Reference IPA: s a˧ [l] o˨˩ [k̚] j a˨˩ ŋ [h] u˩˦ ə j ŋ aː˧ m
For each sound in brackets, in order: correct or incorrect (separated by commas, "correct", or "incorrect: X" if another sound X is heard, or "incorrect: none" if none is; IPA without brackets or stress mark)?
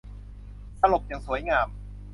correct, incorrect: p̚, incorrect: s